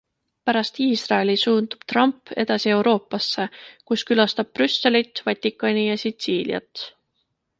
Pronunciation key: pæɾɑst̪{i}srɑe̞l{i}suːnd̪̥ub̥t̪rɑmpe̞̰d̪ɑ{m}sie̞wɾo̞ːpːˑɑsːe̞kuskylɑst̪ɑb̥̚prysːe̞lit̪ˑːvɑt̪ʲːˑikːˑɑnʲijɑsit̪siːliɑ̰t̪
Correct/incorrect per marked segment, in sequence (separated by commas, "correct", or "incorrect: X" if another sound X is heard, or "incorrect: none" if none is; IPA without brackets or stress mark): incorrect: iː, correct, incorrect: none